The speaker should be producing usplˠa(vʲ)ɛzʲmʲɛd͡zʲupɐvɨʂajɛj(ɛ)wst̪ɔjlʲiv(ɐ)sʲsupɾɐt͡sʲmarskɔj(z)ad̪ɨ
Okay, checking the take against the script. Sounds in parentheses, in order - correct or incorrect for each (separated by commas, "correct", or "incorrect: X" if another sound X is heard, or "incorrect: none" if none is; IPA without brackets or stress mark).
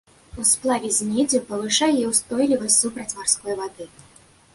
correct, correct, correct, incorrect: v